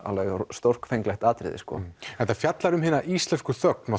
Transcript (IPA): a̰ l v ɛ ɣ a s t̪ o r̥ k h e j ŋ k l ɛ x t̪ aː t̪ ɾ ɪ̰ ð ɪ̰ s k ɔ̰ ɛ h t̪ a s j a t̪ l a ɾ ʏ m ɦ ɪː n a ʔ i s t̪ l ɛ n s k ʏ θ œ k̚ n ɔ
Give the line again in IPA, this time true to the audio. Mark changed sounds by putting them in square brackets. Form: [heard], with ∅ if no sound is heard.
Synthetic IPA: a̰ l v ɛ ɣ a s t̪ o r̥ k [f] e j ŋ k l ɛ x t̪ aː t̪ ɾ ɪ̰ ð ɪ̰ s k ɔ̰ ɛ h t̪ a [f] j a t̪ l a ɾ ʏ m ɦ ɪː n a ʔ i s t̪ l ɛ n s k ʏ θ œ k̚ n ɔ

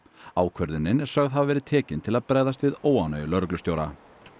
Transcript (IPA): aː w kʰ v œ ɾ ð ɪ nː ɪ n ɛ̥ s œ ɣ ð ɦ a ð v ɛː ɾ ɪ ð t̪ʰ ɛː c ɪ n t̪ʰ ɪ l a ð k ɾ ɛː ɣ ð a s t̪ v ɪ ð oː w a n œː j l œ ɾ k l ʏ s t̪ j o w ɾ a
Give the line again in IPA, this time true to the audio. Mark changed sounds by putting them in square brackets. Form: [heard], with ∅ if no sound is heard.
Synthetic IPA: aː w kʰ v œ ɾ ð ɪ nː ɪ n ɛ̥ s œ ɣ ð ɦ a [v] v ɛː ɾ ɪ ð t̪ʰ ɛː c ɪ n t̪ʰ ɪ l a ð [p] ɾ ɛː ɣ ð a s t̪ v ɪ ð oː w a n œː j l œ ɾ k l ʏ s t̪ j o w ɾ a

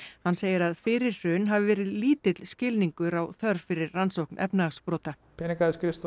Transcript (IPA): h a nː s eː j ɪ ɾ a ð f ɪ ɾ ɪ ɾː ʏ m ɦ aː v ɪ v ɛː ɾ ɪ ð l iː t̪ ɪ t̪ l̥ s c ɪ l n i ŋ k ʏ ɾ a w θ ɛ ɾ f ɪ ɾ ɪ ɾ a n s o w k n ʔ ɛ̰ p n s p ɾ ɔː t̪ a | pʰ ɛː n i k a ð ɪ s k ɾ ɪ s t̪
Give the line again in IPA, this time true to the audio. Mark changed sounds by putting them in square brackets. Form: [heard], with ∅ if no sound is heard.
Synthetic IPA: h a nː s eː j ɪ ɾ a ð f ɪ ɾ ɪ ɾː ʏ [n] ɦ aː v ɪ v ɛː ɾ ɪ ð l iː t̪ ɪ t̪ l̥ s c ɪ l n i ŋ k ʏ ɾ a w θ [œ] ɾ f ɪ ɾ ɪ ɾ a n s o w k n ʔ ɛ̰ p n s p ɾ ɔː t̪ a | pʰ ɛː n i k a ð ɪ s k ɾ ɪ s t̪

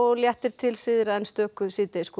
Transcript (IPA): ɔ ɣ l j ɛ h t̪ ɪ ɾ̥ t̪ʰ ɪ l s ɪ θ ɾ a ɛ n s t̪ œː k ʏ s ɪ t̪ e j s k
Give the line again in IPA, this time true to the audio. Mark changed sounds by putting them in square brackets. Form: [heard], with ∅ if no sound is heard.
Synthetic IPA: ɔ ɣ l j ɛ h t̪ ɪ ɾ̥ t̪ʰ ɪ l s ɪ [ð] ɾ a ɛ n s t̪ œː k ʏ s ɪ t̪ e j s k

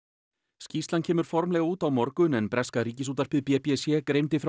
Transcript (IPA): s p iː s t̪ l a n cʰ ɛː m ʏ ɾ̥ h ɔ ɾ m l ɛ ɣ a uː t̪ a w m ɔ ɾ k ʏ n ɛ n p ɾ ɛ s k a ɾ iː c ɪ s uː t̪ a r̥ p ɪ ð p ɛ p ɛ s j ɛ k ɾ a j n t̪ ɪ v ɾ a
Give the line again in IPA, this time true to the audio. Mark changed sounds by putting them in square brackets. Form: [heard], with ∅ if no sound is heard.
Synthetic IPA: s [c] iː s t̪ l a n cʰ ɛː m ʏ ɾ̥ [f] ɔ ɾ m l ɛ ɣ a uː t̪ a w m ɔ ɾ k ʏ n ɛ n p ɾ ɛ s k a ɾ iː c ɪ s uː t̪ a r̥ p ɪ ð p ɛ p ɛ s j ɛ k ɾ [e] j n t̪ ɪ [f] ɾ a

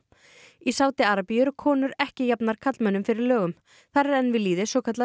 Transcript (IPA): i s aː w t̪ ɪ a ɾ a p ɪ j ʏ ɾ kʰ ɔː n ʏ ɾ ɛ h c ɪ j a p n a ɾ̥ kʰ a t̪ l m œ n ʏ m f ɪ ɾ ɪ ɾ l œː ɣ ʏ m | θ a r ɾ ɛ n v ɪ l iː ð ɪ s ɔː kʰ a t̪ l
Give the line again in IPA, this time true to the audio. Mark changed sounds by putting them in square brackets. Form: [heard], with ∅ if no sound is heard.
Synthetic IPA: i s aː w t̪ ɪ a ɾ a p [i] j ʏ ɾ kʰ ɔː n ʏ ɾ ɛ h c ɪ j a p n a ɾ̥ kʰ a t̪ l m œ n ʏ m f ɪ ɾ ɪ ɾ l œː ɣ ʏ m | θ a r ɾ ɛ n v ɪ l iː ð ɪ s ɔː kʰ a t̪ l

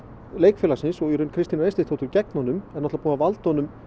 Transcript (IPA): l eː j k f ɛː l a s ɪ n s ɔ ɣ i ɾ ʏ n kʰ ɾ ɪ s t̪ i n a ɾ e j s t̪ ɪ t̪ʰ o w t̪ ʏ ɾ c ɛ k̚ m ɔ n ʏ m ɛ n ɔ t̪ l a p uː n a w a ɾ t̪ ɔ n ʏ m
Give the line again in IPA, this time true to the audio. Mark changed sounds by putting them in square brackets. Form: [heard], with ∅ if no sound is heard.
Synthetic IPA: l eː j k f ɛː l a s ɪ n s ɔ ɣ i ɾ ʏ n kʰ ɾ ɪ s t̪ i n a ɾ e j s t̪ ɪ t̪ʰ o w t̪ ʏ ɾ c ɛ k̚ [n] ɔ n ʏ m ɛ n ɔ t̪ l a p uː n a [v] a [l] t̪ ɔ n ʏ m

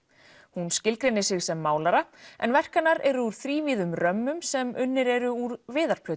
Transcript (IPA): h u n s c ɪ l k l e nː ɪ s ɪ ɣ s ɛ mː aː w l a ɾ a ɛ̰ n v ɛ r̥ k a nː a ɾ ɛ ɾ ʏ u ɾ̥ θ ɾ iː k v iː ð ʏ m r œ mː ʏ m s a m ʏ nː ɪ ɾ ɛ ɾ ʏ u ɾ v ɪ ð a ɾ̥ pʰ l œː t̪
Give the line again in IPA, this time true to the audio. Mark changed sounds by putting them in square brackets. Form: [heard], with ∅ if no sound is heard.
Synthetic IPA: h u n s c ɪ l k [ɾ] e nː ɪ s ɪ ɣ s ɛ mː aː w l a ɾ a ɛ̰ n v ɛ r̥ k a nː a ɾ ɛ ɾ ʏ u ɾ̥ θ ɾ iː [∅] v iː ð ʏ m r œ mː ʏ m s [ɛ] m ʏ nː ɪ ɾ ɛ ɾ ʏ u ɾ v [ɪː] ð a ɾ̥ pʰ l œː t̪

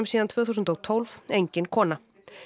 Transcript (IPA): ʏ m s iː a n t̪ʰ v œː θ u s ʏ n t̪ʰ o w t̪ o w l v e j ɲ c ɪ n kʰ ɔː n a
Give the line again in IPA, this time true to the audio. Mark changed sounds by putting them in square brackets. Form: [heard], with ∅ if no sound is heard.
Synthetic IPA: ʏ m s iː a n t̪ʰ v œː θ u s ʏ n [t̪] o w [t̪ʰ] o w l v e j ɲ c ɪ n kʰ ɔː n a

